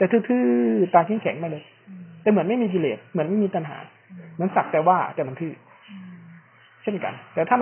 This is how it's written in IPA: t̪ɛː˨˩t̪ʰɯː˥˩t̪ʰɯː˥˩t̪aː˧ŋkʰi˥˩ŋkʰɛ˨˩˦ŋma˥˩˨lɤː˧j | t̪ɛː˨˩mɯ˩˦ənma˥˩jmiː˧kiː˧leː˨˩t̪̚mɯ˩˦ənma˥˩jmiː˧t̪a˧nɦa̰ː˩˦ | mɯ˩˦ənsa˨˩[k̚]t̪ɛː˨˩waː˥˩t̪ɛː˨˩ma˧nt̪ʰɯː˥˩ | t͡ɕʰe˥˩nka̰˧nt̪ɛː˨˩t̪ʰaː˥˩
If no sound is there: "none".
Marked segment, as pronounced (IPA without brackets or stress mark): k̚